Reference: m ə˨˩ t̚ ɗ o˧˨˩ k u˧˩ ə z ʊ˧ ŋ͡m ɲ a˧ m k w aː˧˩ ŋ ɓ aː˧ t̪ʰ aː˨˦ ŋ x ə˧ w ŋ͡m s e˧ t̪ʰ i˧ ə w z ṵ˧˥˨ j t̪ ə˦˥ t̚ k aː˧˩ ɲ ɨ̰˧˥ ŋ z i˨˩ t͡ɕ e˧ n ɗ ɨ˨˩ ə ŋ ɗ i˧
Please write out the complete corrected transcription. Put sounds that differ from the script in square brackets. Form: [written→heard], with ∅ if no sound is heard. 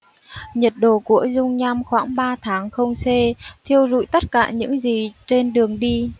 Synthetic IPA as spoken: [m→ɲ] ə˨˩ t̚ ɗ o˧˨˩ k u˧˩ ə z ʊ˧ ŋ͡m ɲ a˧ m [k→x] w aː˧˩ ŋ ɓ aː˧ t̪ʰ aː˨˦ ŋ x ə˧ w ŋ͡m s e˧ t̪ʰ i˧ ə w z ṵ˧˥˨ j t̪ ə˦˥ t̚ k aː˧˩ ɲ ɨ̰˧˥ ŋ z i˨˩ t͡ɕ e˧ n ɗ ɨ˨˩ ə ŋ ɗ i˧